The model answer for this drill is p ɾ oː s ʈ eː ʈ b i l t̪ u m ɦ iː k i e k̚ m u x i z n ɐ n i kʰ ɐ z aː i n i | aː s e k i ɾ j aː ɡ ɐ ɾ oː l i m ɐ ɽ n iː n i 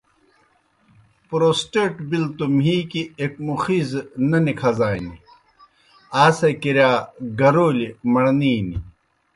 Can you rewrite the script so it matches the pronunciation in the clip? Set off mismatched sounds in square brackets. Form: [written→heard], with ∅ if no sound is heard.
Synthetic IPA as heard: p ɾ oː s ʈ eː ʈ b i l t̪ u m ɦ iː k i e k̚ m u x i z n ɐ n i kʰ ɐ z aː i n i | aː s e k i ɾ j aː ɡ ɐ ɾ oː l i m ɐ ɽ n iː n i